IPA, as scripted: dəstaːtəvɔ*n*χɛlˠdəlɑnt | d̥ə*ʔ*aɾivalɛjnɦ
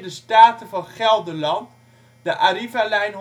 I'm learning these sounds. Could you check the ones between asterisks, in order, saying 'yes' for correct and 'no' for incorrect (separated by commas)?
yes, yes